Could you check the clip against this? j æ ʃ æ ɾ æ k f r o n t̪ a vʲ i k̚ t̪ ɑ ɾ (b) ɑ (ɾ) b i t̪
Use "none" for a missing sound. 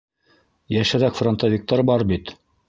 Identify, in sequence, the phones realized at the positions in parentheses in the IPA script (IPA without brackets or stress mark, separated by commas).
b, ɾ